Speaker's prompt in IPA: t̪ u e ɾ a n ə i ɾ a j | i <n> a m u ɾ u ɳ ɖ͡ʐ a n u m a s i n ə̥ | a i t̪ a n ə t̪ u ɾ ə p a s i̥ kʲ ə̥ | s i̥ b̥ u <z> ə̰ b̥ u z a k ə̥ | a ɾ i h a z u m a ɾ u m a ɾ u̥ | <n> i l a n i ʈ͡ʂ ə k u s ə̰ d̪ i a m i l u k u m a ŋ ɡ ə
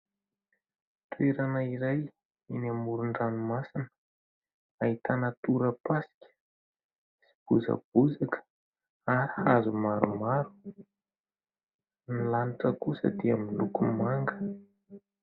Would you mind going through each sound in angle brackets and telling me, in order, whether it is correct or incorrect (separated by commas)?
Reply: correct, correct, correct